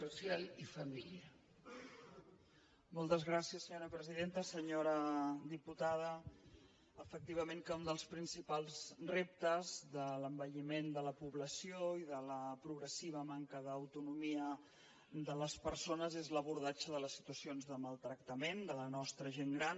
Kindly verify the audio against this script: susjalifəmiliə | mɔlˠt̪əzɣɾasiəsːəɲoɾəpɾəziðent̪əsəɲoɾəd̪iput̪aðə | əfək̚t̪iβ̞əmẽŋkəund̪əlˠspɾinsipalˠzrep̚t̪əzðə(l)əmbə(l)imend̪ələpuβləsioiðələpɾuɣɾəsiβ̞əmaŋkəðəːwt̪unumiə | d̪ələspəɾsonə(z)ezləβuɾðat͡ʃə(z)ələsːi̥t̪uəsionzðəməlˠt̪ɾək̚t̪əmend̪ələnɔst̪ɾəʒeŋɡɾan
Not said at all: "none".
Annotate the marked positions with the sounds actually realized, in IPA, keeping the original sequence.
l, ʎ, z, ð

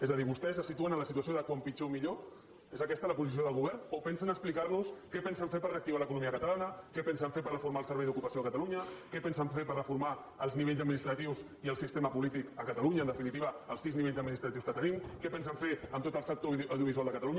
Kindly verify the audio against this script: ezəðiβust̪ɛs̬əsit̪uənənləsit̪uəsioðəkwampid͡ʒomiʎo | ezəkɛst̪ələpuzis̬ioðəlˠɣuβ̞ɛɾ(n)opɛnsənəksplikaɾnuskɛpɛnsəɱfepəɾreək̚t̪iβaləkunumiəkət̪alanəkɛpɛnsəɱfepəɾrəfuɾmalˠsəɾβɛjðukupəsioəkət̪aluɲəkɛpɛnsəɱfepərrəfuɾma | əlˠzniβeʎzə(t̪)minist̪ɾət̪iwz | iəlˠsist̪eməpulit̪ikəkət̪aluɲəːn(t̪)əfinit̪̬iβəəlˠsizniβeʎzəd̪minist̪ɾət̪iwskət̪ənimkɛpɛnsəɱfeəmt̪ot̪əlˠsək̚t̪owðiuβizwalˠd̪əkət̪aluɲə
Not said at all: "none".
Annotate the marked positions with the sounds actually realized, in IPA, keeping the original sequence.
n, d̪, d̪

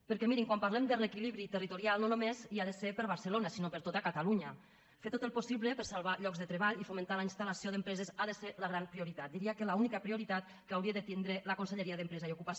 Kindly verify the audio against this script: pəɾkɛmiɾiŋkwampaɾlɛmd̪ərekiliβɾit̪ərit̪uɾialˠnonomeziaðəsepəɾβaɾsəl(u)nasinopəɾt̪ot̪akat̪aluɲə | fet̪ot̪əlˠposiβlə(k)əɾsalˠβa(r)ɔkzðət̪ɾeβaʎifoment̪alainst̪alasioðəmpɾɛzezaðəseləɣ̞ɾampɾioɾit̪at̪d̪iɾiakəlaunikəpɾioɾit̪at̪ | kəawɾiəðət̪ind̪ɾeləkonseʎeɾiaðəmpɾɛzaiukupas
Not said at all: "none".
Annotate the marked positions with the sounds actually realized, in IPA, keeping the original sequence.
o, p, ʎ

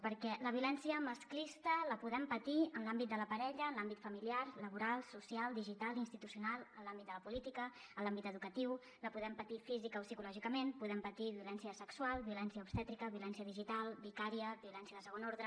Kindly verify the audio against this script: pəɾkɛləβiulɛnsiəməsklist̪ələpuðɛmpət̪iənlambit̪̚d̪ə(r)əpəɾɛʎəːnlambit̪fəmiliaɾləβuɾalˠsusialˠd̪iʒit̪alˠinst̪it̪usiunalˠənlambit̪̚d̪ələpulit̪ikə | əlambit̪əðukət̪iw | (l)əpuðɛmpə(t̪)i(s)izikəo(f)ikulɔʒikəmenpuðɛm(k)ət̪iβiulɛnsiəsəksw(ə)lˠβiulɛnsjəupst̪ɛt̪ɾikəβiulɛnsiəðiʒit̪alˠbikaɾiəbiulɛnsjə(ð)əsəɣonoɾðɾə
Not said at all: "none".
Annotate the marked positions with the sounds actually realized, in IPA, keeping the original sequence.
l, l, t̪, f, s, p, a, ð

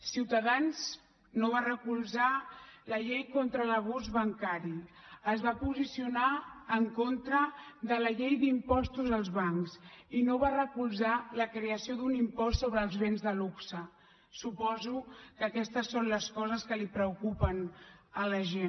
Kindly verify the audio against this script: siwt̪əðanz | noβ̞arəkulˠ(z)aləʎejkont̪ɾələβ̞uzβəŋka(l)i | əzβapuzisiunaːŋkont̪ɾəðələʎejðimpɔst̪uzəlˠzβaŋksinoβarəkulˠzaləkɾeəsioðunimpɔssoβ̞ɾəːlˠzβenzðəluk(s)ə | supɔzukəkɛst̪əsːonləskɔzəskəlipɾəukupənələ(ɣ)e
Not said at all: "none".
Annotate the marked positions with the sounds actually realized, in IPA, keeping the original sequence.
z, ɾ, s, ʒ

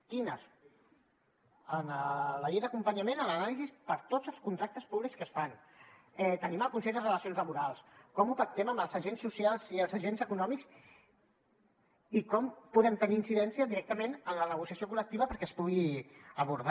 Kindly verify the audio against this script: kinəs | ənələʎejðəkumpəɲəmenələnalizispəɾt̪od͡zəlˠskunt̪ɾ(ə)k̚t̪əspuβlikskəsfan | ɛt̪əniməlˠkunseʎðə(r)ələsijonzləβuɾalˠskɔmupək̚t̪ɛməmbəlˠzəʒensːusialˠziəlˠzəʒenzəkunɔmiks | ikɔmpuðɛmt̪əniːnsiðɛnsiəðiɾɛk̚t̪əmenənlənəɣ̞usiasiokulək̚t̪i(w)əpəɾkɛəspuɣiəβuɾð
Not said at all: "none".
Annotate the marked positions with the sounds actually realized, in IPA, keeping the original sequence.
a, r, β

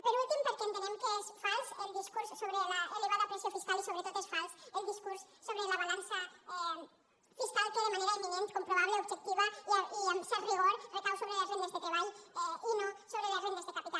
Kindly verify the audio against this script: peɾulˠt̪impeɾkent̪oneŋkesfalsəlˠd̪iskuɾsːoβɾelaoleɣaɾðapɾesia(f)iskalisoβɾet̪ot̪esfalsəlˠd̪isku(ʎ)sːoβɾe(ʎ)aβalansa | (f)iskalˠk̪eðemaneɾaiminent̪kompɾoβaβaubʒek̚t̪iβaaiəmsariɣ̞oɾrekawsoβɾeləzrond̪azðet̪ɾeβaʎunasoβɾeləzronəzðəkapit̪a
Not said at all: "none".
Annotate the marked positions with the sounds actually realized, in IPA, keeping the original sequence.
f, ɾ, l, f

